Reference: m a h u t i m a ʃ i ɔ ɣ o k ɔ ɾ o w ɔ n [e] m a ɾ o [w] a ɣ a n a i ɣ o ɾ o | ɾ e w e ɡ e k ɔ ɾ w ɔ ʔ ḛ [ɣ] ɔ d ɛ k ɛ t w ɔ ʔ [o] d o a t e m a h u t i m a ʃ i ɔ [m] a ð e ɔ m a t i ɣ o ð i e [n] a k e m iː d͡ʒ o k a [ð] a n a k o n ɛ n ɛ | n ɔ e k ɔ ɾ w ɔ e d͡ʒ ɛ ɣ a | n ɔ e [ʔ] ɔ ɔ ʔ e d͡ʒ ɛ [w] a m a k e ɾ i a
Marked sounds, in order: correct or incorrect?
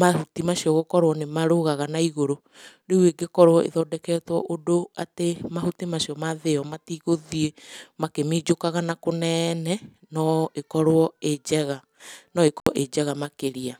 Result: correct, incorrect: ɣ, incorrect: ð, correct, correct, incorrect: m, incorrect: ɣ, incorrect: k, incorrect: ɣ

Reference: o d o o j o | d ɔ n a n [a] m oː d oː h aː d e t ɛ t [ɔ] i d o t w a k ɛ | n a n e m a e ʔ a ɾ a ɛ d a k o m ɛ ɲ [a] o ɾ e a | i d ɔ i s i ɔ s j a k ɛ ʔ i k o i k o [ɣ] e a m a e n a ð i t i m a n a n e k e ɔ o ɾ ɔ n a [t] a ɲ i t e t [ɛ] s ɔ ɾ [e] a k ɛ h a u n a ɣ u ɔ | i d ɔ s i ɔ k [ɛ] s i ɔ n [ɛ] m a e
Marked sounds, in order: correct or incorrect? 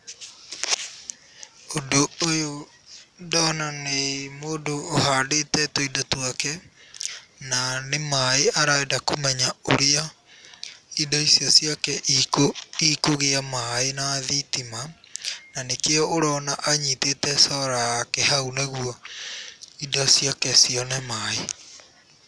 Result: incorrect: e, incorrect: o, correct, correct, incorrect: ʔ, correct, incorrect: a, correct, correct

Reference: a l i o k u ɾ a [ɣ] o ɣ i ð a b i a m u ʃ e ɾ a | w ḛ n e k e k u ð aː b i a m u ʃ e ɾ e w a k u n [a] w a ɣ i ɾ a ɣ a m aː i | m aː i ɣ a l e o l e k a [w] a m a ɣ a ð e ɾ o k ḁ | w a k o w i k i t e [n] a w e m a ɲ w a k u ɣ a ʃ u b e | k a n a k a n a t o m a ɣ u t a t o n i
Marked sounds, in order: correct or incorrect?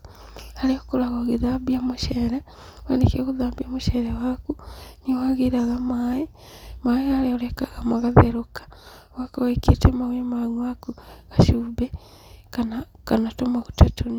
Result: correct, incorrect: i, incorrect: ɣ, incorrect: m

